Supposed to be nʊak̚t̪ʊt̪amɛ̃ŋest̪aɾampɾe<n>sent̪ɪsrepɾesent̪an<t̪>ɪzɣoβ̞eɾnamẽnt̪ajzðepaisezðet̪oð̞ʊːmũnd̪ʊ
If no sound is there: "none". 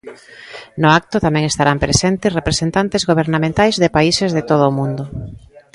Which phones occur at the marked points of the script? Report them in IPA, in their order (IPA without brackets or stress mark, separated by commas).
none, t̪